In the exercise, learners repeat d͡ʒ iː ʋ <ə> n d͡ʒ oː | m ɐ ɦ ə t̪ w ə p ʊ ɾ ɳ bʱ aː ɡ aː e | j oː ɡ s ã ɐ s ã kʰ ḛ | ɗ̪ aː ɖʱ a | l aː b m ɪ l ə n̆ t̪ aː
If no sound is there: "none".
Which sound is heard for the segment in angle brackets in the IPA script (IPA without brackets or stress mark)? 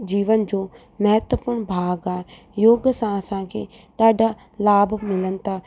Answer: ə